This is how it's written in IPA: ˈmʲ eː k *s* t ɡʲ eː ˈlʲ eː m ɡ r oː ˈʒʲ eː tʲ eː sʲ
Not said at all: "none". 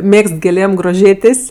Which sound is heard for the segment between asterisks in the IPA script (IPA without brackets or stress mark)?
s